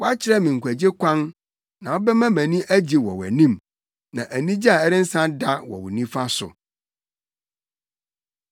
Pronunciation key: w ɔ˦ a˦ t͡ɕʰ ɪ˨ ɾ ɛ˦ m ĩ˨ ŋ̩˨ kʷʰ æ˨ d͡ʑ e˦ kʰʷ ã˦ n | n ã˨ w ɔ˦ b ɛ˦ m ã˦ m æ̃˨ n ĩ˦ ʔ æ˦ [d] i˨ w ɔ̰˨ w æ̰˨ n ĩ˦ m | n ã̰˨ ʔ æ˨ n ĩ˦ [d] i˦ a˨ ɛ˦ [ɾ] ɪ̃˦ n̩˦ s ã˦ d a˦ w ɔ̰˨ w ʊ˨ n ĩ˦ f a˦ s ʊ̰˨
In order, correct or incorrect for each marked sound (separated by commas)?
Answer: incorrect, incorrect, correct